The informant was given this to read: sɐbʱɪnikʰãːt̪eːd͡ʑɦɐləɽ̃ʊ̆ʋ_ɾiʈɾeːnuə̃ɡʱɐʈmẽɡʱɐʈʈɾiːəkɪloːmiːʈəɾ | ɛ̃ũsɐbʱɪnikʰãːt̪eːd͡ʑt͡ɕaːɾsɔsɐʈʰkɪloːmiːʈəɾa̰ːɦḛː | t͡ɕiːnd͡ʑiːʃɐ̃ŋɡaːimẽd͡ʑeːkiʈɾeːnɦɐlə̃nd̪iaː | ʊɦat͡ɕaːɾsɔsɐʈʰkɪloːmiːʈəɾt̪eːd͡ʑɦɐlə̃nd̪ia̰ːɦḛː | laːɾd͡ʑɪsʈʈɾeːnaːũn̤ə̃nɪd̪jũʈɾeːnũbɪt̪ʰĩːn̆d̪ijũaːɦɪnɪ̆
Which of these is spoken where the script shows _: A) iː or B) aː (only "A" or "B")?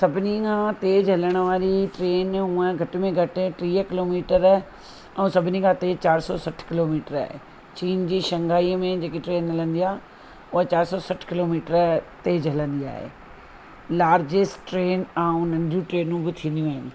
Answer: B